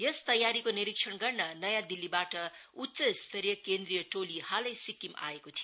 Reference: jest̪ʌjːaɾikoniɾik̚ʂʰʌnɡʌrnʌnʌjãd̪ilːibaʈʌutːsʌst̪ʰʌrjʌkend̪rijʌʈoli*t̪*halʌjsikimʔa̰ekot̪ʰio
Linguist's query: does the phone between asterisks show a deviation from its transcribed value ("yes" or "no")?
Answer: yes